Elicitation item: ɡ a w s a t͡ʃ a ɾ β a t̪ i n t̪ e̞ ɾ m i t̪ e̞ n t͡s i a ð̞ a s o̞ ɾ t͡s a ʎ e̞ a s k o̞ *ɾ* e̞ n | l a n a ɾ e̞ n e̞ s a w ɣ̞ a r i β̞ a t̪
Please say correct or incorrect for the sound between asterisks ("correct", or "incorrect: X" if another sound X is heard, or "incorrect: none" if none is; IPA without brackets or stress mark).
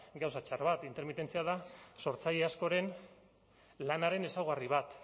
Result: correct